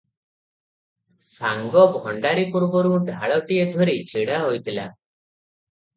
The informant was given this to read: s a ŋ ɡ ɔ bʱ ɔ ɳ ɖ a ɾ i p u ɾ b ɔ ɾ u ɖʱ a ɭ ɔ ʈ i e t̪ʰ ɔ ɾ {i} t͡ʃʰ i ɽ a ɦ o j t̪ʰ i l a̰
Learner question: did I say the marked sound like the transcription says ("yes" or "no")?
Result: yes